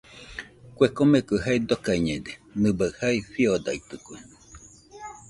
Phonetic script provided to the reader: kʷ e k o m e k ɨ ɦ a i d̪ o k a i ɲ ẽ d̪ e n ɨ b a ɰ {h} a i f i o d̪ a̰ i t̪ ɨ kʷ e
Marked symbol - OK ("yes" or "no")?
yes